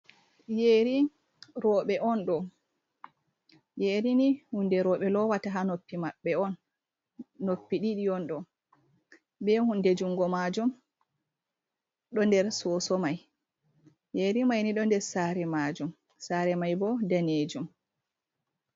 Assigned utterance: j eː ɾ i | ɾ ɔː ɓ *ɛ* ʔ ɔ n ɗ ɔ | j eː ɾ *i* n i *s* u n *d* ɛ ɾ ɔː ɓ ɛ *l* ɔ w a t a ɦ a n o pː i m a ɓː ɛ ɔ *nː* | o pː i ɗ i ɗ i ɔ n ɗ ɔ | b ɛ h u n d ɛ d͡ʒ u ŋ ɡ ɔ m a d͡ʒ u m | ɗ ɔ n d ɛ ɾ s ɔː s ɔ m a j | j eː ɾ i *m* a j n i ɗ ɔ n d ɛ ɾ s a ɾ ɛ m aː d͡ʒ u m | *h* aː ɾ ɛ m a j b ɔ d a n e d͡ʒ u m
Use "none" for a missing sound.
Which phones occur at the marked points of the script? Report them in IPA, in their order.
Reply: ɛ, i, h, d, l, nː, m, s

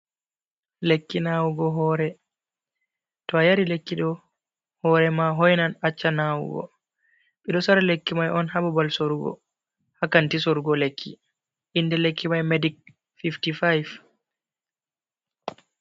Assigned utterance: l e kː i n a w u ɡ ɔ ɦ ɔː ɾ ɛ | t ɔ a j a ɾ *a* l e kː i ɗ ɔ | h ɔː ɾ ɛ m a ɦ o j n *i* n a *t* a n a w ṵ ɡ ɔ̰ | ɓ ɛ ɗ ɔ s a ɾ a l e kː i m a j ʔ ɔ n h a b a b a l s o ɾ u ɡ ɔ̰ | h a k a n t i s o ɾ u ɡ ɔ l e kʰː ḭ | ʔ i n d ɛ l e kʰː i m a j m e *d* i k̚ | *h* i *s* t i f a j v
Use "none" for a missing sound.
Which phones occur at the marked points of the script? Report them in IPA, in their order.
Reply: i, a, t͡ʃː, d, f, f

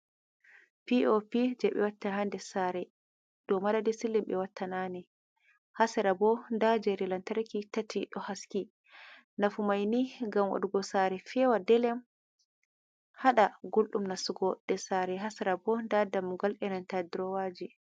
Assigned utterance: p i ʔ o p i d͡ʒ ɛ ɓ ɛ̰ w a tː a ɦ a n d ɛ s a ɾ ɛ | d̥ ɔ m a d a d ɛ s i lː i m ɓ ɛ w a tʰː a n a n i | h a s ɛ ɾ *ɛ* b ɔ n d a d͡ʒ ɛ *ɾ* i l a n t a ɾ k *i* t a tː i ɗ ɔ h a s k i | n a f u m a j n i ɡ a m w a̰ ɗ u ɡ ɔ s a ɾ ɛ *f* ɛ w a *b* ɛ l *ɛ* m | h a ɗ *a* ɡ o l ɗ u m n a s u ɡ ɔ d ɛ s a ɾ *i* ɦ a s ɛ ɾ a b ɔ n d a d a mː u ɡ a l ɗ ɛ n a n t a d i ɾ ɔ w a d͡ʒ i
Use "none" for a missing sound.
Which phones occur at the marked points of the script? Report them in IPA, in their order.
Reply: a, ɾ, i, f, d, ɛ, a, ɛ

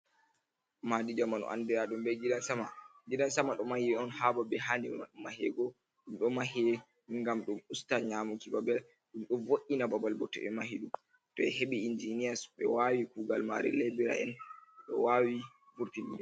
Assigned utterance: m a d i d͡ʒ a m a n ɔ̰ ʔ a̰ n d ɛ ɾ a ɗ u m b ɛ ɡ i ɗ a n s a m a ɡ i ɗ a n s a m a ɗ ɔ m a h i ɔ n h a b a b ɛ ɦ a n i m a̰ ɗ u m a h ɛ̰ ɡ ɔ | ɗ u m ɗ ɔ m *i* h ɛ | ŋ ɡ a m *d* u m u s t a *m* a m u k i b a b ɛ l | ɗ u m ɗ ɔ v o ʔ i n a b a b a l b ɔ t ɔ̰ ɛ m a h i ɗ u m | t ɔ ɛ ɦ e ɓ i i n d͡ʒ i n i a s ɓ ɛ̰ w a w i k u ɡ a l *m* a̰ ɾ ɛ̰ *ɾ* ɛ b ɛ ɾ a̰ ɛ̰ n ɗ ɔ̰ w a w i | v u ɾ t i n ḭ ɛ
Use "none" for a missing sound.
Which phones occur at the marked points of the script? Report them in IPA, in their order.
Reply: a, ɗ, ɲ, m, l

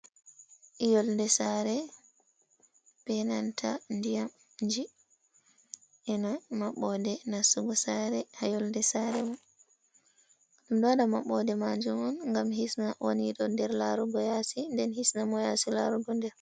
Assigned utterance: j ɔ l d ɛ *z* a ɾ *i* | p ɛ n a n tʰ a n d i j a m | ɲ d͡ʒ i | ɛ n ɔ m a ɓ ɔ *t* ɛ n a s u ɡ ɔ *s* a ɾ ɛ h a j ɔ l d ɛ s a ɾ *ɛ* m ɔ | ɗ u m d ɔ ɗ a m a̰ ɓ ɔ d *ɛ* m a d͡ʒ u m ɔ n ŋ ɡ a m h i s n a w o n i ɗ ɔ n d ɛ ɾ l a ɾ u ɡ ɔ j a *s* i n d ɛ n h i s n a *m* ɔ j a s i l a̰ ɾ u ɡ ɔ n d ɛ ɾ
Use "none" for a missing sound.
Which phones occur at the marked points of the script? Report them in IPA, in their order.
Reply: s, ɛ, d, s, ɛ, ɛ, s, m

